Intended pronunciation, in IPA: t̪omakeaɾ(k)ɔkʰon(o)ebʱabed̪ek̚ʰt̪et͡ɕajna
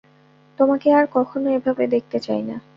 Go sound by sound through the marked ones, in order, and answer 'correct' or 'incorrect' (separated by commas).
correct, correct